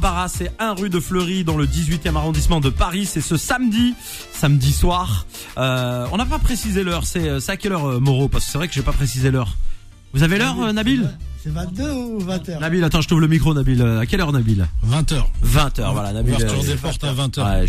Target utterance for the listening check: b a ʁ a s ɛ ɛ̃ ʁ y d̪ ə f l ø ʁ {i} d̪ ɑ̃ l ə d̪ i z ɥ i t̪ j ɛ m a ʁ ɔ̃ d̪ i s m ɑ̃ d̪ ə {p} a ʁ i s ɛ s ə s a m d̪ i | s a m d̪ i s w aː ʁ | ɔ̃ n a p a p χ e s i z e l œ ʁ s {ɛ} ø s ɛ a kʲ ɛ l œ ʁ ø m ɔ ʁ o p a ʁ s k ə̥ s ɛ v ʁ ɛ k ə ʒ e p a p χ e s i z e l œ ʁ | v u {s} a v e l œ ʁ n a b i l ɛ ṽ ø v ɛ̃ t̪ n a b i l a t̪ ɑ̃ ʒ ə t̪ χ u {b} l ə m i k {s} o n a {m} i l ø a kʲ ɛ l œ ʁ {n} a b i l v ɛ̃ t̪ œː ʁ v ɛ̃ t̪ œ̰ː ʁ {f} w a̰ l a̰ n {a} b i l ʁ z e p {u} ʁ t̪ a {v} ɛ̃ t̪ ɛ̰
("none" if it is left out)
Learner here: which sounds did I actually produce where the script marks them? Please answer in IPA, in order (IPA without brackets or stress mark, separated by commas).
i, p, ɛ, z, v, χ, b, n, v, a, ɔ, v